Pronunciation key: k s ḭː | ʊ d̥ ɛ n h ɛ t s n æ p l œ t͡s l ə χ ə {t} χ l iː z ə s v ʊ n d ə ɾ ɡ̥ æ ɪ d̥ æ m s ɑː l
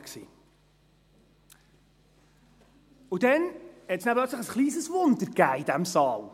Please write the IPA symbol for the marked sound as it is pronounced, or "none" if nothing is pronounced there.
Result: s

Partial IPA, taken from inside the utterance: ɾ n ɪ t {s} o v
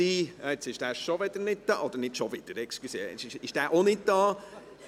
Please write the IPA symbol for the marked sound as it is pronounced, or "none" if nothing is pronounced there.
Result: ʃ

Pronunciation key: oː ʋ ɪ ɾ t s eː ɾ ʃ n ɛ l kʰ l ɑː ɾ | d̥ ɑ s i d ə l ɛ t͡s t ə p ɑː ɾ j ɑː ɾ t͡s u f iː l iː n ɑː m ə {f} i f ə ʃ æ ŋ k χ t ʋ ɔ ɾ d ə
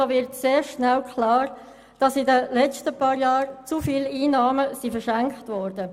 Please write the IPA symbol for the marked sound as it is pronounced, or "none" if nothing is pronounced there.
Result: s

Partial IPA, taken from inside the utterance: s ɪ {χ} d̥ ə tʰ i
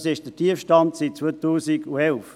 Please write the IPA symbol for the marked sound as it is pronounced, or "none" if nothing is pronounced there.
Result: ʃ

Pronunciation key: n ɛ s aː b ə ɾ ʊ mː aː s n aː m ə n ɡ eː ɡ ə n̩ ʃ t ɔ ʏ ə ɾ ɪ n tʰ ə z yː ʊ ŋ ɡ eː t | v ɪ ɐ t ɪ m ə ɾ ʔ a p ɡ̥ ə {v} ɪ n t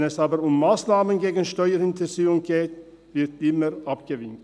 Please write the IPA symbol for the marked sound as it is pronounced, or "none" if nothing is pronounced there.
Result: v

